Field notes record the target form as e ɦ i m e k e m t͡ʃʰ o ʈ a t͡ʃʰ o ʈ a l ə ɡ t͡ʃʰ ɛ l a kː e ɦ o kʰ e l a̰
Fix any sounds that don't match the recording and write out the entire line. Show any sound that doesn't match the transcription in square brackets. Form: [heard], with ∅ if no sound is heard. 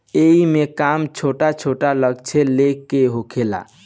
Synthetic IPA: e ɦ i m e k [a] m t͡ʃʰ o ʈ a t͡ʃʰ o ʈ a l ə ɡ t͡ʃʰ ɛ l [e] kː e ɦ o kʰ e l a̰

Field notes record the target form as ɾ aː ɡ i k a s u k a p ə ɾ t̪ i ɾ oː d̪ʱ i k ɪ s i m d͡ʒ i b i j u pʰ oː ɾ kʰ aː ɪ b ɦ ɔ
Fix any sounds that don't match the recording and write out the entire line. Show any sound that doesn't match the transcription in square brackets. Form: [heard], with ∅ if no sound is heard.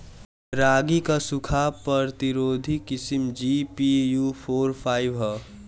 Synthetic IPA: ɾ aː ɡ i k a s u [kʰ] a p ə ɾ t̪ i ɾ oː d̪ʱ i k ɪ s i m d͡ʒ i [p] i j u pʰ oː ɾ [pʰ] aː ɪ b ɦ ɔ

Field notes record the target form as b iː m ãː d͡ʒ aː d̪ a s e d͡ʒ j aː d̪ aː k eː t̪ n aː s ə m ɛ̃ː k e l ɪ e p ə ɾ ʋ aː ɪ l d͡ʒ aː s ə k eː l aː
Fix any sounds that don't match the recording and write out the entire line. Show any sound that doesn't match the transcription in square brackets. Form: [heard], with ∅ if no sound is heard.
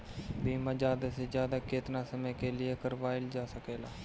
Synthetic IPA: b iː m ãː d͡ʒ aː d̪ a s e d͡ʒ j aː d̪ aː k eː t̪ n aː s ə m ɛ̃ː k e l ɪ e [k] ə ɾ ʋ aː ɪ l d͡ʒ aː s ə k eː l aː

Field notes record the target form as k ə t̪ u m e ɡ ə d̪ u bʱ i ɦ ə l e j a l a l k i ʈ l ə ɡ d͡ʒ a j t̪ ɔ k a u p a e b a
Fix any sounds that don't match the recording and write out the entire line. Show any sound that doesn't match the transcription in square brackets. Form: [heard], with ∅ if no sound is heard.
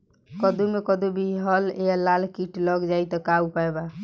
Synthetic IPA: k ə [d̪] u m e [k] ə d̪ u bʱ i ɦ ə l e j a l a l k i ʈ l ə ɡ d͡ʒ a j t̪ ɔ k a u p a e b a

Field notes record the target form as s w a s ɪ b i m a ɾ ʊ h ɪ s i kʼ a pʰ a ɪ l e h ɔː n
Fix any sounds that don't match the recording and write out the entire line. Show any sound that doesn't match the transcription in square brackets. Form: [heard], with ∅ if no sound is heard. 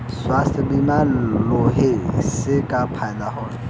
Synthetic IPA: s w a s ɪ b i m a [l] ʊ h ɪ s [ɪ] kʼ a pʰ a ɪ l [a] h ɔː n

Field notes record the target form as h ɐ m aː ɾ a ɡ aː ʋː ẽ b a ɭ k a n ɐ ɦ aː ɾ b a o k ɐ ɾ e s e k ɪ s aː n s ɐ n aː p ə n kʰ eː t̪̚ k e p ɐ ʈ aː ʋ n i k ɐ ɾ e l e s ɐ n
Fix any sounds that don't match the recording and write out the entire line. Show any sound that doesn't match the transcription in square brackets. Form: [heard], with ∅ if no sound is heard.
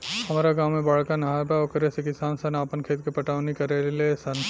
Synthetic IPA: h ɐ m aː ɾ a ɡ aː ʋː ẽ b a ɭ k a n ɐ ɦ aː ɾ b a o k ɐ ɾ e s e k ɪ s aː n s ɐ n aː p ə n kʰ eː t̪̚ k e p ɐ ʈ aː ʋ n i k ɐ ɾ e l e s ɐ n

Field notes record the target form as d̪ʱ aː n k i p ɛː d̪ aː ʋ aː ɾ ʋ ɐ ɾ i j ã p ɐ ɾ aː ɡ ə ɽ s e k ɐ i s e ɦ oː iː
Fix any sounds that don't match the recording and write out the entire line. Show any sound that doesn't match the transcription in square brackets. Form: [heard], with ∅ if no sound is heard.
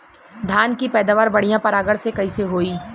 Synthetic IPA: d̪ʱ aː n k i p ɛː d̪ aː ʋ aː ɾ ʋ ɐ [ɽ] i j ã p ɐ ɾ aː ɡ ə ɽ s e k ɐ i s e ɦ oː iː

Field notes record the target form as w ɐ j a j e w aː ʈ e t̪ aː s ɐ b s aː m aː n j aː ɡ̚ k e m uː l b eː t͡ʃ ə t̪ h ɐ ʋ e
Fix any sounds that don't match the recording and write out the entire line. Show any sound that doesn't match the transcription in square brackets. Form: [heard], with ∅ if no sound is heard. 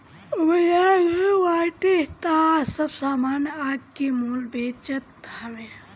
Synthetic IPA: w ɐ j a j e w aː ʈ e t̪ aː s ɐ b s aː m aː n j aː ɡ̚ k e m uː l b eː t͡ʃ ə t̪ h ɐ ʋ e

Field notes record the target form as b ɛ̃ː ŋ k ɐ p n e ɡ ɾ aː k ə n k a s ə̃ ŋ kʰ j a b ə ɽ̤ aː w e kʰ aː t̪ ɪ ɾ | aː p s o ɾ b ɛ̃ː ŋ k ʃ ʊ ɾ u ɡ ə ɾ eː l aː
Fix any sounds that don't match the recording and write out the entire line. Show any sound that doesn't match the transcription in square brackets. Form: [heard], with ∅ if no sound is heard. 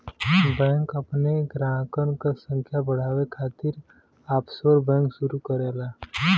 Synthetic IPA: b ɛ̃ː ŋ k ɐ p n e ɡ ɾ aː k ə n k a s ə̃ ŋ kʰ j a b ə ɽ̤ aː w e kʰ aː t̪ ɪ ɾ | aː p s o ɾ b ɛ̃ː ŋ k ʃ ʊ ɾ u [k] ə ɾ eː l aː

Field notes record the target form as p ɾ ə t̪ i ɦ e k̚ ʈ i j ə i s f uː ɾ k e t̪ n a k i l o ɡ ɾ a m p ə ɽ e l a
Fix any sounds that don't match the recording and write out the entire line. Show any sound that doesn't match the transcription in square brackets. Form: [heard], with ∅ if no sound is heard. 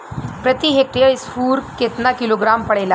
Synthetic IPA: p ɾ ə t̪ i ɦ e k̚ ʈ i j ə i s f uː ɾ k e t̪ n a k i l o ɡ ɾ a m p ə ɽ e l a

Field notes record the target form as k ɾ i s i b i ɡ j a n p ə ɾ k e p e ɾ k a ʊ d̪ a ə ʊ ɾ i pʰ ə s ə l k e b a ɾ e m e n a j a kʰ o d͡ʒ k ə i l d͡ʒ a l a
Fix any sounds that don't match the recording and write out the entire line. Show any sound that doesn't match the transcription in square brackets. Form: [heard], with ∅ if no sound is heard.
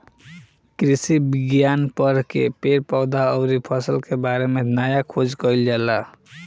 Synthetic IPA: k ɾ i s i b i ɡ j a n p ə ɾ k e p e ɾ [p] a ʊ d̪ a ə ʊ ɾ i pʰ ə s ə l k e b a ɾ e m e n a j a kʰ o d͡ʒ k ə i l d͡ʒ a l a

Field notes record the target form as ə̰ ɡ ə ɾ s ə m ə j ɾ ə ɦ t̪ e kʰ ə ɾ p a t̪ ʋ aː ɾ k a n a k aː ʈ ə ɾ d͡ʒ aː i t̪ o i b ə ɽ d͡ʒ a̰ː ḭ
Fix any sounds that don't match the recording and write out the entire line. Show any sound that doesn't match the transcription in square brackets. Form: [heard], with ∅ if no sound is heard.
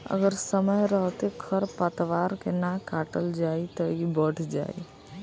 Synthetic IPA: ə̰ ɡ ə ɾ s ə m ə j ɾ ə ɦ t̪ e kʰ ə ɾ p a t̪ ʋ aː ɾ k [e] n a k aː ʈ ə [l] d͡ʒ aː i t̪ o i b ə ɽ d͡ʒ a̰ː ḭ

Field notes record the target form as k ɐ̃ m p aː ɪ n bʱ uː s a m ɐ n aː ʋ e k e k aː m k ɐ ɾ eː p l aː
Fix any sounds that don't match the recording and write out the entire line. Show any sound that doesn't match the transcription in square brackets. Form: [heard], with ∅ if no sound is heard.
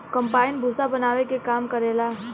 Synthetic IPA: k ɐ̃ m p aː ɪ n bʱ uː s a [b] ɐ n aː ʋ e k e k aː m k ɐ ɾ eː [∅] l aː

